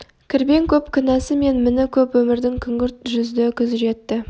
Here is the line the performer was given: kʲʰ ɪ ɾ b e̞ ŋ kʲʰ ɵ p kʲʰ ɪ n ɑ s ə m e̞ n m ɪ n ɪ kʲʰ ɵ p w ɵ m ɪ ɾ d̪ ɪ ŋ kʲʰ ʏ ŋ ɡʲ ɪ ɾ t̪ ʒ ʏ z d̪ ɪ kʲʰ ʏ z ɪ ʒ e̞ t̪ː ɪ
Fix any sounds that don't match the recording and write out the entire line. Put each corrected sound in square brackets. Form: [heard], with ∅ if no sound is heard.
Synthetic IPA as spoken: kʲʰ ɪ ɾ b e̞ ŋ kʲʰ ɵ p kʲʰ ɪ n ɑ s ə m e̞ n m ɪ n ɪ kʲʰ ɵ p w ɵ m ɪ ɾ d̪ ɪ ŋ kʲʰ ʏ ŋ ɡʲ ɪ ɾ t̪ ʒ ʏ z d̪ ɪ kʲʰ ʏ z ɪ ʒ e̞ t̪ː ɪ